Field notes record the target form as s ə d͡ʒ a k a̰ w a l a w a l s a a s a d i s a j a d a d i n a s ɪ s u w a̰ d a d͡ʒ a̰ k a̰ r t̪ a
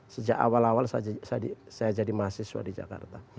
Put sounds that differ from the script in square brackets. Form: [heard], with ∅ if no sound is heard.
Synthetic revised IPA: s ə d͡ʒ a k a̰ w a l a w a l s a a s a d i s a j a [d͡ʒ] a d i [m] a s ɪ s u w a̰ d [i] d͡ʒ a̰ k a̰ r t̪ a